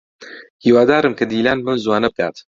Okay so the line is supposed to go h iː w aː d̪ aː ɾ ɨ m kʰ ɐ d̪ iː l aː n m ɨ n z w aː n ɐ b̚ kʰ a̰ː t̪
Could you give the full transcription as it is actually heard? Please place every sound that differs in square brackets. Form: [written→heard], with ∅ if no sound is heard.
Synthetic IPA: h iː w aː d̪ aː ɾ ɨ m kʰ ɐ d̪ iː l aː n m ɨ n z w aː n ɐ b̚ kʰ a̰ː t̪